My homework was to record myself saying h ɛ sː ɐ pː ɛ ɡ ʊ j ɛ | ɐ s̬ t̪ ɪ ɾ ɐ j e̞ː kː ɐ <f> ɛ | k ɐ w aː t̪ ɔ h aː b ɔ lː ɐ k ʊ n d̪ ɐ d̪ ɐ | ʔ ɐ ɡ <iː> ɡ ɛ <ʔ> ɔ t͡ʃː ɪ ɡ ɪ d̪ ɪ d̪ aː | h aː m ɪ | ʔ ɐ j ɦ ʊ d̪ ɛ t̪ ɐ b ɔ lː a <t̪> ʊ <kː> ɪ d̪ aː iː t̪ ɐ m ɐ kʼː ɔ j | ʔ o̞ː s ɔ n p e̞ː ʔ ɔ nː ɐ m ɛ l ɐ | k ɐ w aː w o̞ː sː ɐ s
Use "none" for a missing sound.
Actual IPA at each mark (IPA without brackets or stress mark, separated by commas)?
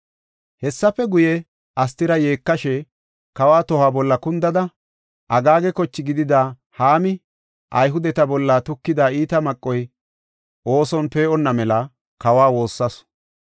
ʃ, aː, k, t̪, kː